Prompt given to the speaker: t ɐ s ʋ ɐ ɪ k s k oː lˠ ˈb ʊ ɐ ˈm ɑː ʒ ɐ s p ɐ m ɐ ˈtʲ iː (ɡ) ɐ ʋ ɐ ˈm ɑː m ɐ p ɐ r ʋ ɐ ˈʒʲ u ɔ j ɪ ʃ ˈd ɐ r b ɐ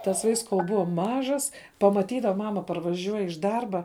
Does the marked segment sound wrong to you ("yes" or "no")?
yes